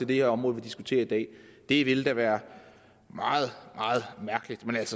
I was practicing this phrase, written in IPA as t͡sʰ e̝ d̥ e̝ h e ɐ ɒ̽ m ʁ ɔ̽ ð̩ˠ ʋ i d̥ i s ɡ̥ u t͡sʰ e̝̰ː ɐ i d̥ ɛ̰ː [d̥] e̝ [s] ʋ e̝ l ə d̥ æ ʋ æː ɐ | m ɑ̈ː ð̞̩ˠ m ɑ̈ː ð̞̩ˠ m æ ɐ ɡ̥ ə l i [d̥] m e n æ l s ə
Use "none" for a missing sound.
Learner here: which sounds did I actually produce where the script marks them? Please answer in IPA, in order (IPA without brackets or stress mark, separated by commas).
d̥, none, d̥